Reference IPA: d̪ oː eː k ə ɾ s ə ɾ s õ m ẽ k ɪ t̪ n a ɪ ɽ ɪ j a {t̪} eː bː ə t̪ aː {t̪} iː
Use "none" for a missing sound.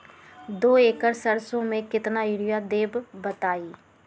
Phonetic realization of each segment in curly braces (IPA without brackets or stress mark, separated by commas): d̪, none